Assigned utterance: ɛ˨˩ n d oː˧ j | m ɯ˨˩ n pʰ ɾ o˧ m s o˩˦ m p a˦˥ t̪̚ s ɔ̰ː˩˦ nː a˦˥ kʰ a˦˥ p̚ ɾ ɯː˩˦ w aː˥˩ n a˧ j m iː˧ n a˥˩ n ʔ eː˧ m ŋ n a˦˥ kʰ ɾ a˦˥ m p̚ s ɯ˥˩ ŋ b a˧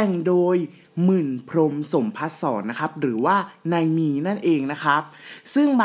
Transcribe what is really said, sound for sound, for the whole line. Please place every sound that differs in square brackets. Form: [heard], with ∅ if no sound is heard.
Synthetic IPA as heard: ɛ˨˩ [ŋ] d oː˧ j | m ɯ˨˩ n pʰ ɾ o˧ m s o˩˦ m [pʰ] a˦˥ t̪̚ s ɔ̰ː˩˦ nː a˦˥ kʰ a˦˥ p̚ ɾ ɯː˩˦ w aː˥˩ n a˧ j m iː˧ n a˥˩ n ʔ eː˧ [∅] ŋ n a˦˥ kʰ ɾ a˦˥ [∅] p̚ s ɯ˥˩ ŋ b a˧